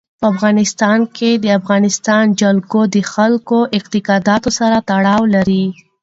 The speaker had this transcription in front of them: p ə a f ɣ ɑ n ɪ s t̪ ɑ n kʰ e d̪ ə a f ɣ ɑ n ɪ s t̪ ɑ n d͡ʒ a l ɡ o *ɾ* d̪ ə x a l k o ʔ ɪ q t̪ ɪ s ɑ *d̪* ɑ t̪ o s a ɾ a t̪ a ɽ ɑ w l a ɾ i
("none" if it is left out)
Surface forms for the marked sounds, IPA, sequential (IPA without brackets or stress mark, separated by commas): none, d̪